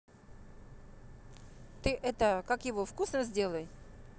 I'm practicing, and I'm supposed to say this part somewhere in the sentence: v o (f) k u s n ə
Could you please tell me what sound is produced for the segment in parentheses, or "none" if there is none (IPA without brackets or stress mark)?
f